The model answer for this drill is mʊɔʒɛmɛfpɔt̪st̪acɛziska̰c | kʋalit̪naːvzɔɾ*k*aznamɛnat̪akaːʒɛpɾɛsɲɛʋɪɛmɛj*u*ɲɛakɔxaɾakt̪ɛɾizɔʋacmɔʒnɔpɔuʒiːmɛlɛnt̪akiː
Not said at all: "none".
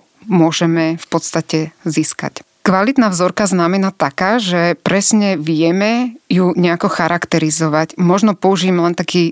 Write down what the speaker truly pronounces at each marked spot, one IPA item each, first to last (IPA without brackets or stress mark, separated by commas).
k, u